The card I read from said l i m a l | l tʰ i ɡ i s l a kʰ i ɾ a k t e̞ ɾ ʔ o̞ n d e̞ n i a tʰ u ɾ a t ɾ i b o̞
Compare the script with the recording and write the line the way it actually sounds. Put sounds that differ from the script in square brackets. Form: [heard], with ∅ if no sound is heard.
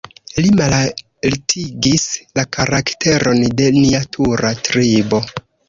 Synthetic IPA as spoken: l i m a l | l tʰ i ɡ i s l a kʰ [a] ɾ a k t e̞ ɾ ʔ o̞ n d e̞ n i a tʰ u ɾ a t ɾ i b o̞